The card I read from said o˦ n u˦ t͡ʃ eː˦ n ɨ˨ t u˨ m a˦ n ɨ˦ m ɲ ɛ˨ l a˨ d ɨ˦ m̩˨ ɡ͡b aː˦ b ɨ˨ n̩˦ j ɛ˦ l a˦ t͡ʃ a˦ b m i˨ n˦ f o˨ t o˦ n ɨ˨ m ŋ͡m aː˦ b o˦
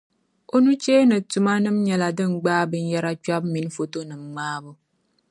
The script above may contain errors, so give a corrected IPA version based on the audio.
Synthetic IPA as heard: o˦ n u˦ t͡ʃ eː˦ n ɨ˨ t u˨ m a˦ n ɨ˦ m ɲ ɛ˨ l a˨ d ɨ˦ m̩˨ ɡ͡b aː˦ b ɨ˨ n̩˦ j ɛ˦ ɾ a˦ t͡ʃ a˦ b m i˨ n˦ f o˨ t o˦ n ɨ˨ m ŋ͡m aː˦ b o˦